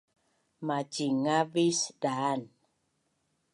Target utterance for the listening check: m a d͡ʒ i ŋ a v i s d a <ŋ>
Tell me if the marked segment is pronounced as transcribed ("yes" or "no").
no